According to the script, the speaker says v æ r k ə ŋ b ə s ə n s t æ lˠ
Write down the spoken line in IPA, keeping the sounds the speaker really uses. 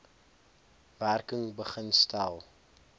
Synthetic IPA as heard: v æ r k ə ŋ b ə χ ə n s t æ lˠ